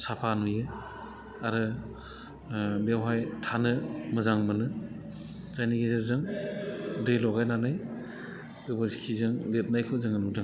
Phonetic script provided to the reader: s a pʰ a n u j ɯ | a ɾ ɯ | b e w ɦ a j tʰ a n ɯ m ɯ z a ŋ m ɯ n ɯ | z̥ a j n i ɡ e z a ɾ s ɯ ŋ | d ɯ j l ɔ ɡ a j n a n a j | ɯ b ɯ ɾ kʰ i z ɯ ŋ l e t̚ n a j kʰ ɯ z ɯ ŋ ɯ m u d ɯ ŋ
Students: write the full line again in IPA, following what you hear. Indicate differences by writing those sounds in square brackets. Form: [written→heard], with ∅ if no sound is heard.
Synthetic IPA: s a pʰ a n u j ɯ | a ɾ ɯ | b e w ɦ a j tʰ a n ɯ m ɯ z a ŋ m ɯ n ɯ | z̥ a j n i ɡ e z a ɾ [s→z] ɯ ŋ | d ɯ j l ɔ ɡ a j n a n a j | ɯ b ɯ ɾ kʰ i z ɯ ŋ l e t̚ n a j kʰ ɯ z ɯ ŋ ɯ [m→n] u d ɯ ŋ